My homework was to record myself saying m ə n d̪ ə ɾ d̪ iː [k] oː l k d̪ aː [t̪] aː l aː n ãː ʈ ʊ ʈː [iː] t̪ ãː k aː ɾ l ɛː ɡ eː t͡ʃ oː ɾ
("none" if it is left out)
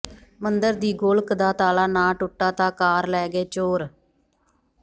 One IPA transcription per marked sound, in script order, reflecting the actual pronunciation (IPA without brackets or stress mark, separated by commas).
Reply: ɡ, t̪, aː